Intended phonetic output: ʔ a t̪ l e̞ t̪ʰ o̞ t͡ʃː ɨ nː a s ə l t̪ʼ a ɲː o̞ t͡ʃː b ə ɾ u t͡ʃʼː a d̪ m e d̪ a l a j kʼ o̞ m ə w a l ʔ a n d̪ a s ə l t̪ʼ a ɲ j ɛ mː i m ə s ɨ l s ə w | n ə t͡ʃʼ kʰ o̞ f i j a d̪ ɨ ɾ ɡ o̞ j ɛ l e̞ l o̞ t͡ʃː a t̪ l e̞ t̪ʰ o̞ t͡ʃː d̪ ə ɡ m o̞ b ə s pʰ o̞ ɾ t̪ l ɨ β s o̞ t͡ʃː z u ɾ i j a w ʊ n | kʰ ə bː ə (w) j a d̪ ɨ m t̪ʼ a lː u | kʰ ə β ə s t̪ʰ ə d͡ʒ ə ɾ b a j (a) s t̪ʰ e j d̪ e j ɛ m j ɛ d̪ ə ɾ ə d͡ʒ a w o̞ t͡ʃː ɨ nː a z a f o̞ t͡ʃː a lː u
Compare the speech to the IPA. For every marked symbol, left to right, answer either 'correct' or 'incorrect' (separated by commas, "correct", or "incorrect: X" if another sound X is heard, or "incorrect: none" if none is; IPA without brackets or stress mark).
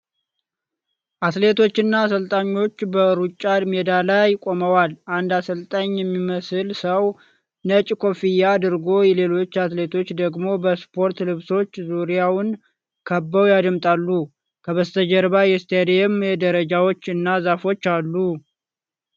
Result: correct, incorrect: ɛ